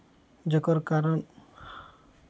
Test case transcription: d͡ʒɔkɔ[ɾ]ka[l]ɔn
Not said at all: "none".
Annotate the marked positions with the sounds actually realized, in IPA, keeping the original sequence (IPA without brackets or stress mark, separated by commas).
ɾ, ɾ